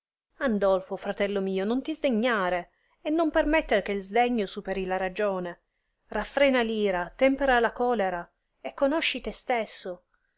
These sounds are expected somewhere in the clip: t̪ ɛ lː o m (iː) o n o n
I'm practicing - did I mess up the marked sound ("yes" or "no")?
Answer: no